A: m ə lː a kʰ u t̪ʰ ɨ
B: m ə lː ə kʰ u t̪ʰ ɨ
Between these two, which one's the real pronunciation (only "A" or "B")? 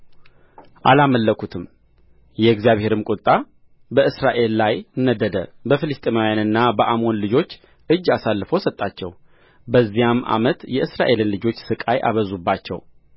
B